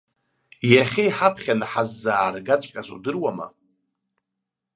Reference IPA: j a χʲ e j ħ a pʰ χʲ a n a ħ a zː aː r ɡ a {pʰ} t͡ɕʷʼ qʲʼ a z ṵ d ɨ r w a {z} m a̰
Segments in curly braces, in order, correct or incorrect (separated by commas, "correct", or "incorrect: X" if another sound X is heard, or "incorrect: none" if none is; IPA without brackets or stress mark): incorrect: none, incorrect: none